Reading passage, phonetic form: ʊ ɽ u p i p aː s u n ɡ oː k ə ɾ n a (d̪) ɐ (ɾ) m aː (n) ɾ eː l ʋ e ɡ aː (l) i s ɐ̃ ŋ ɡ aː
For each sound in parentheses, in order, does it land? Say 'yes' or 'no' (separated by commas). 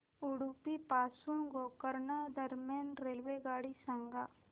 yes, yes, yes, no